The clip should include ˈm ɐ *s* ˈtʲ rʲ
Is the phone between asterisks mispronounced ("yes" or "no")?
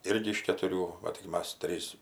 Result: no